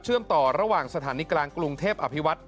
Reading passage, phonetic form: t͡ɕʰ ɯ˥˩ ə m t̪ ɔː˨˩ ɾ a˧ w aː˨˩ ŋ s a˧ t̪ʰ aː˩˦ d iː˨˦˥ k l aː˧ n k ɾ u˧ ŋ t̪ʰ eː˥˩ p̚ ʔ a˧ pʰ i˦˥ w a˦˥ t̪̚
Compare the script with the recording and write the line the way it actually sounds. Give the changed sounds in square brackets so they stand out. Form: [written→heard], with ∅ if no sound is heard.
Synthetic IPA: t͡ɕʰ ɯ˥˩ ə m t̪ ɔː˨˩ ɾ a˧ w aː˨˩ ŋ s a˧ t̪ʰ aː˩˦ [d→n] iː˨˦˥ k l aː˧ [n→ŋ] k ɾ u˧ ŋ t̪ʰ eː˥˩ p̚ ʔ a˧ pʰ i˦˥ w a˦˥ t̪̚